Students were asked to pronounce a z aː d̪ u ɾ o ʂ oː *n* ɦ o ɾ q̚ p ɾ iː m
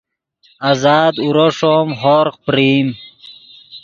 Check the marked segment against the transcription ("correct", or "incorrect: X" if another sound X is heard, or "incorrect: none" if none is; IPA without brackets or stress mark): incorrect: m